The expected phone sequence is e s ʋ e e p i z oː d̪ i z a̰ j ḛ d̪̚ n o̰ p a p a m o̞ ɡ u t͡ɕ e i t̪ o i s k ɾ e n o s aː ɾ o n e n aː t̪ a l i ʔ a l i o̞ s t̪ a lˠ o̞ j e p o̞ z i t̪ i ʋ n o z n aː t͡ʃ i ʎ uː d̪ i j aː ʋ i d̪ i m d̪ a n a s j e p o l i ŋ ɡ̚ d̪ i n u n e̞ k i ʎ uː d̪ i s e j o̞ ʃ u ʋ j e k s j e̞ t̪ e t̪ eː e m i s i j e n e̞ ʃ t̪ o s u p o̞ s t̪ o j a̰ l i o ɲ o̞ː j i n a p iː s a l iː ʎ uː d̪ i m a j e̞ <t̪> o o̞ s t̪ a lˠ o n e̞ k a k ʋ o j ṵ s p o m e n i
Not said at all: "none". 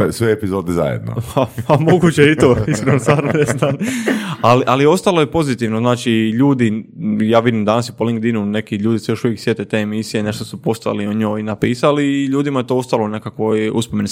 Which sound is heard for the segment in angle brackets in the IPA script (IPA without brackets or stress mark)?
t̪